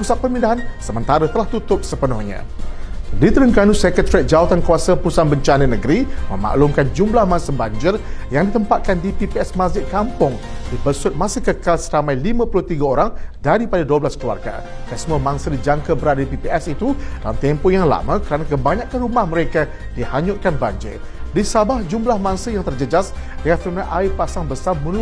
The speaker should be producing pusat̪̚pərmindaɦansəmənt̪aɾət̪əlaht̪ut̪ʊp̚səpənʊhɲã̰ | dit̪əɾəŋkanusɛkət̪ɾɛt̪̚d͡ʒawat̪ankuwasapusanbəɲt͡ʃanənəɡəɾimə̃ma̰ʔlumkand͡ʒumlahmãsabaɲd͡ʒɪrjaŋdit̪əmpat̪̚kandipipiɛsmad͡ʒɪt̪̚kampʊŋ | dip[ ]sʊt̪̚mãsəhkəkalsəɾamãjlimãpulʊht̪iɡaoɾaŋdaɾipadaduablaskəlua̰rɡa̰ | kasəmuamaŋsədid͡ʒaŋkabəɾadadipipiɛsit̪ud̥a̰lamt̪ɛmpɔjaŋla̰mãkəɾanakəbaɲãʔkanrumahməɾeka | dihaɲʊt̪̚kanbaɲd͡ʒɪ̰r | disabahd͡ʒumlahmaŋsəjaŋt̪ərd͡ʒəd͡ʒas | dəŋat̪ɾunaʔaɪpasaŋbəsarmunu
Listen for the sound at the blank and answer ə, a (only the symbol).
ə